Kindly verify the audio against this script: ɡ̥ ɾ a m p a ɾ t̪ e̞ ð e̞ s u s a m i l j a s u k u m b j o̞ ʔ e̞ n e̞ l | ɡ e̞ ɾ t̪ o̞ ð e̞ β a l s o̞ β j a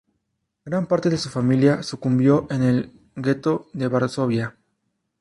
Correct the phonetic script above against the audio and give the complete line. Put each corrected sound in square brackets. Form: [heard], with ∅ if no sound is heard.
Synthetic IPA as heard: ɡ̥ ɾ a m p a ɾ t̪ e̞ ð e̞ s u [f] a m i l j a s u k u m b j o̞ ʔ e̞ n e̞ l | ɡ e̞ [∅] t̪ o̞ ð e̞ β a [ɾ] s o̞ β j a